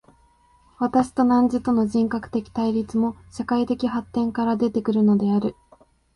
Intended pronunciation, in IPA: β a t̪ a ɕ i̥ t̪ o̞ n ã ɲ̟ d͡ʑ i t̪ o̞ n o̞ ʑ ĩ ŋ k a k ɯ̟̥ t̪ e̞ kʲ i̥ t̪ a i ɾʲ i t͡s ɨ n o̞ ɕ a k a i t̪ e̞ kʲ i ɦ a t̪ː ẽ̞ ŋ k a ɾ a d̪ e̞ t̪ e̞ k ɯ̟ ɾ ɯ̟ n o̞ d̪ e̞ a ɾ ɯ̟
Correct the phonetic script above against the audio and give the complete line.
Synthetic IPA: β a t̪ a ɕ i̥ t̪ o̞ n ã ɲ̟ d͡ʑ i t̪ o̞ n o̞ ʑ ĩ ŋ k a k ɯ̟̥ t̪ e̞ kʲ i̥ t̪ a i ɾʲ i t͡s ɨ m o̞ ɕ a k a i t̪ e̞ kʲ i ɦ a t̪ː ẽ̞ ŋ k a ɾ a d̪ e̞ t̪ e̞ k ɯ̟ ɾ ɯ̟ n o̞ d̪ e̞ a ɾ ɯ̟